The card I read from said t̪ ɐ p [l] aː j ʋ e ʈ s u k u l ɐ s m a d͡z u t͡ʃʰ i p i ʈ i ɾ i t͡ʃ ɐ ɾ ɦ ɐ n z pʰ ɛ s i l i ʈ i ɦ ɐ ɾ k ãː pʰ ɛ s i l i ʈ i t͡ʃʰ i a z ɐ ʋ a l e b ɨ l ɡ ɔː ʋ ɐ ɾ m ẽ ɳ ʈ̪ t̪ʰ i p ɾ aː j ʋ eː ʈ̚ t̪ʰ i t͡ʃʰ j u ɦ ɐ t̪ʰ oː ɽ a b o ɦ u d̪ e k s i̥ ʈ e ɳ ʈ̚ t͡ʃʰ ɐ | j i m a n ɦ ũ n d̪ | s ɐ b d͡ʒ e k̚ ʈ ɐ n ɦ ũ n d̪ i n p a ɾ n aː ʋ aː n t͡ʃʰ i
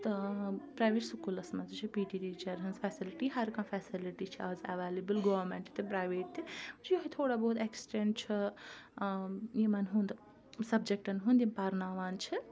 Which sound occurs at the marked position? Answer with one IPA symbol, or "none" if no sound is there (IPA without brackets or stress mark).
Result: ɾ